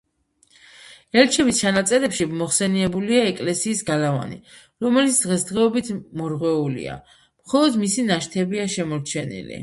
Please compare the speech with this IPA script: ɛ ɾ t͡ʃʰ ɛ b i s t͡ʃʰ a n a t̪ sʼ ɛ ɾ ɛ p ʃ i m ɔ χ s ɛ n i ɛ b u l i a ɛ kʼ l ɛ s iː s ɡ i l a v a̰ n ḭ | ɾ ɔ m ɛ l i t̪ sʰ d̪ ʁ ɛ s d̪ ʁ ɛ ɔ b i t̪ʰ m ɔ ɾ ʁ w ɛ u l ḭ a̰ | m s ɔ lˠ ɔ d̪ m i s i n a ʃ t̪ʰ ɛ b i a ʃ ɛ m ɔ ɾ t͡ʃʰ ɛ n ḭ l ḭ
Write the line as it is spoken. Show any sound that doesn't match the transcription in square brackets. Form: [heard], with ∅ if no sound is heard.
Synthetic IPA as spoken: ɛ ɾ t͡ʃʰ ɛ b i s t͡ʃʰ a n a t̪ sʼ ɛ ɾ ɛ p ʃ i m ɔ χ s ɛ n i ɛ b u l i a ɛ kʼ l ɛ s iː s ɡ [a] l a v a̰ n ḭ | ɾ ɔ m ɛ l i t̪ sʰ d̪ ʁ ɛ s d̪ ʁ ɛ ɔ b i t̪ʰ m ɔ ɾ ʁ w ɛ u l ḭ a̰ | m [χ] ɔ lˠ ɔ d̪ m i s i n a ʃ t̪ʰ ɛ b i a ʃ ɛ m ɔ ɾ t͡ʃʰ ɛ n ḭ l ḭ